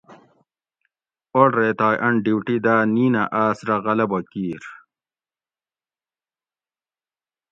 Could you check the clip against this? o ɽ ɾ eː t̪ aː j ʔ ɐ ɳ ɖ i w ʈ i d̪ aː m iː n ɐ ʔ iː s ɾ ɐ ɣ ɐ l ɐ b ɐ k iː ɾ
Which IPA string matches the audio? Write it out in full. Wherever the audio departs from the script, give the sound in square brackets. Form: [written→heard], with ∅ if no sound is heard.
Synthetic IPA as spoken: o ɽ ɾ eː t̪ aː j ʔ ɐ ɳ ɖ i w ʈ i d̪ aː [m→n] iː n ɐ ʔ [iː→aː] s ɾ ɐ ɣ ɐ l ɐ b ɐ k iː ɾ